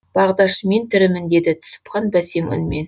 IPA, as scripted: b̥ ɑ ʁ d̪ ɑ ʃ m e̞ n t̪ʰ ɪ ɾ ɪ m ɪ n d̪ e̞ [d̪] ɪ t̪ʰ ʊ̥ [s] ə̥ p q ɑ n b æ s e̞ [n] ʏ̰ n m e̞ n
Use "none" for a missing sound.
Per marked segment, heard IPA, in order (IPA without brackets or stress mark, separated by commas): d̪, s, ŋ